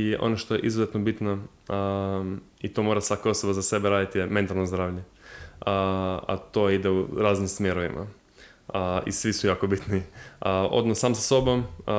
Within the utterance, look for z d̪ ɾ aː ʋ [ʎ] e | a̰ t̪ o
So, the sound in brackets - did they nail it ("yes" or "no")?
yes